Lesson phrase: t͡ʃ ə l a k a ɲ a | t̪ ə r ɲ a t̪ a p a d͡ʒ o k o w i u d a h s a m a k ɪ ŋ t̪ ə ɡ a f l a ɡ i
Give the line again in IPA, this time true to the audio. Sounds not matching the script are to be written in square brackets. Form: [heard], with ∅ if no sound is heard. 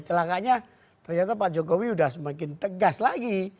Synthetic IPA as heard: t͡ʃ ə l a k a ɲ a | t̪ ə r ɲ a t̪ a p a d͡ʒ o k o w i u d a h s [ə] m a k ɪ [n] t̪ ə ɡ a [s] l a ɡ i